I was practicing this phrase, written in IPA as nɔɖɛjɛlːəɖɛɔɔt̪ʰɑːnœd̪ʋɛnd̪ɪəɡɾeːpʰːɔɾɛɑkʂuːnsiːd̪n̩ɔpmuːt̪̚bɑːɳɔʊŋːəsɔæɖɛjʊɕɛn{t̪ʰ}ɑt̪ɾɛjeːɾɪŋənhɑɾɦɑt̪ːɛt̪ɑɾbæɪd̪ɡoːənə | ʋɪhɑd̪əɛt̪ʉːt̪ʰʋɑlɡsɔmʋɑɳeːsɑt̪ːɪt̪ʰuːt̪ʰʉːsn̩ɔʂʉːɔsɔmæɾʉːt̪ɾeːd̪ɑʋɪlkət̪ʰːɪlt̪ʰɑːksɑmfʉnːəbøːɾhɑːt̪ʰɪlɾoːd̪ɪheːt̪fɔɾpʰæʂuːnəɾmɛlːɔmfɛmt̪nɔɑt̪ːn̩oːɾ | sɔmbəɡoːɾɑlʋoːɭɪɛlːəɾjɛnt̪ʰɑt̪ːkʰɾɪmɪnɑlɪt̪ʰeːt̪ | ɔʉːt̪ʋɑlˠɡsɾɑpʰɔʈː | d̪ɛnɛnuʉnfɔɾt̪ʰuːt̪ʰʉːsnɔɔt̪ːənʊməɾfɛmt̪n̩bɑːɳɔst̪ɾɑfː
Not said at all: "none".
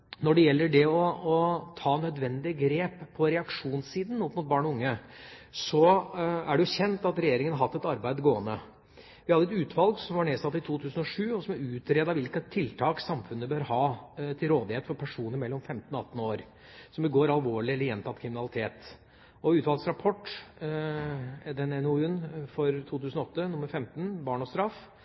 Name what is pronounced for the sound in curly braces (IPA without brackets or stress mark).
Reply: t̪